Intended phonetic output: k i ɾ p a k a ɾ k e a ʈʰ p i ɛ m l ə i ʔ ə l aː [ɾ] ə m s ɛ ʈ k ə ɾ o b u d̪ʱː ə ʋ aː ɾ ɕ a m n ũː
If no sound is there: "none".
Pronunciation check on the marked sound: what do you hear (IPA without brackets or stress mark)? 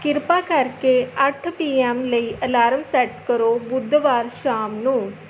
ɾ